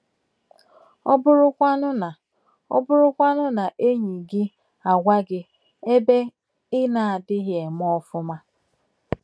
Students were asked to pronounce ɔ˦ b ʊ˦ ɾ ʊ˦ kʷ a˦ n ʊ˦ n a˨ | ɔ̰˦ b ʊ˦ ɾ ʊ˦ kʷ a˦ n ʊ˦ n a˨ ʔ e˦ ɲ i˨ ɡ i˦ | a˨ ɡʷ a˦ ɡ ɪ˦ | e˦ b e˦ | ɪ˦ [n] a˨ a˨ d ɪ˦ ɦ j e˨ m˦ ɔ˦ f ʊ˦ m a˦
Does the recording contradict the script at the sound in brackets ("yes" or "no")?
no